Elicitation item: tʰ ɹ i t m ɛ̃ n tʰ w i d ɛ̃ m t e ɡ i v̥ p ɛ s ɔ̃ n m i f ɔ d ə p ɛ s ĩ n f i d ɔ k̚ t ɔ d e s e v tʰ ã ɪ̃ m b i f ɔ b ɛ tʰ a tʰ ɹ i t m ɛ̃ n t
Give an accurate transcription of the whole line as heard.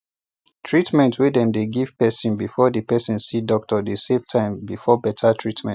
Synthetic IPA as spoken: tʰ ɹ i t m ɛ̃ n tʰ w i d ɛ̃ m d e ɡ i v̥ p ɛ s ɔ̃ n b i f ɔ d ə p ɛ s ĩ n s i d ɔ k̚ t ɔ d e s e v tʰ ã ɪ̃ m b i f ɔ b ɛ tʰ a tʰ ɹ i t m ɛ̃ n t